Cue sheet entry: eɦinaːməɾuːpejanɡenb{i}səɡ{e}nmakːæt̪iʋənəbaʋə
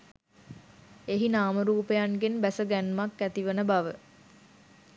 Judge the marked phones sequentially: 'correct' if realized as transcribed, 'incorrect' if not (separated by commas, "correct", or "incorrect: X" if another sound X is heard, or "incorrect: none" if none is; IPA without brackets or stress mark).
incorrect: æ, incorrect: æ